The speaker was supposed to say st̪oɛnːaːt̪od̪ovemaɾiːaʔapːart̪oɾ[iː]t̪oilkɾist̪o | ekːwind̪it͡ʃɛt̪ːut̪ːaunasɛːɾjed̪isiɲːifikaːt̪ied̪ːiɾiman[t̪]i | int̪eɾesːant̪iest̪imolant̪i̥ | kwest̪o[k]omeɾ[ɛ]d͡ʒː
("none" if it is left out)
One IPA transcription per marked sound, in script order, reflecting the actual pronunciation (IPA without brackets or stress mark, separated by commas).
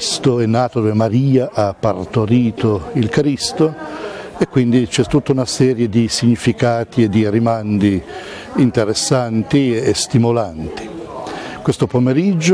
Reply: iː, d̪, p, i